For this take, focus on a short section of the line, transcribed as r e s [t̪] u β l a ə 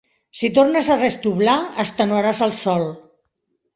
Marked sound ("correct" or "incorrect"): correct